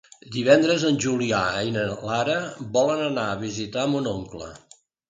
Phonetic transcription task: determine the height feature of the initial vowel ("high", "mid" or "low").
high